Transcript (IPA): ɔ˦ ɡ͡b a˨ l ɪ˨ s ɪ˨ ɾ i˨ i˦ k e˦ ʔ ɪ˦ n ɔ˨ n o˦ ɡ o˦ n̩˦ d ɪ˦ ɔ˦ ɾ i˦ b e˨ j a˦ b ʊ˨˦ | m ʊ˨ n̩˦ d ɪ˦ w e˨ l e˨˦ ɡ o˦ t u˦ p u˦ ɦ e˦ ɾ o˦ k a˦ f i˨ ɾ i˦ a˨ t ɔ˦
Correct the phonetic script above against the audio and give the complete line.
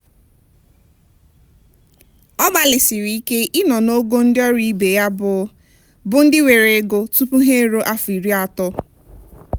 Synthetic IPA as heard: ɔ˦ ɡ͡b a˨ l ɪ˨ s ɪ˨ ɾ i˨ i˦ k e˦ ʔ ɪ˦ n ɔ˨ n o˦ ɡ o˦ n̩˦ d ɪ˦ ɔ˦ ɾ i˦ b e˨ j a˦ b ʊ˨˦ | b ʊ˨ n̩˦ d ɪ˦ w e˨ ɾ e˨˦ ɡ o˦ t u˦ p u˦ ɦ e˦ ɾ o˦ ʔ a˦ f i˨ ɾ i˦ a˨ t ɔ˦